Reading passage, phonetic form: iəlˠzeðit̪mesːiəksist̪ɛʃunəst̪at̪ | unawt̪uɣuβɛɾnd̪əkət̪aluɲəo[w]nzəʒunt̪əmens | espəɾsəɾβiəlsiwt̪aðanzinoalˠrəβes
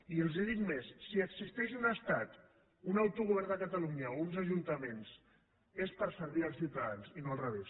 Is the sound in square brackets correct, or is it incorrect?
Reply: incorrect